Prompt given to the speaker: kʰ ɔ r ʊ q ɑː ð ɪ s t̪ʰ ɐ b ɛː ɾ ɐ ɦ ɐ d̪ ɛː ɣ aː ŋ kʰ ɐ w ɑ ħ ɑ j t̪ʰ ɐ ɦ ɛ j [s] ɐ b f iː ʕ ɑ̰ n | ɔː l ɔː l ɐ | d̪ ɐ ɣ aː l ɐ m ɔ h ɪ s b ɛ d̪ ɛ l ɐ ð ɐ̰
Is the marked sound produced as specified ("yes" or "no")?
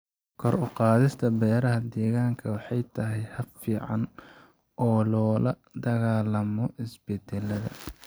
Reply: no